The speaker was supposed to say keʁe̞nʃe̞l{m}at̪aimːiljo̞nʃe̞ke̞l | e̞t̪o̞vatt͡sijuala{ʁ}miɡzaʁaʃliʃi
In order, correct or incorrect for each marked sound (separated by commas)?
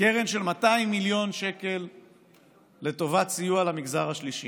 correct, incorrect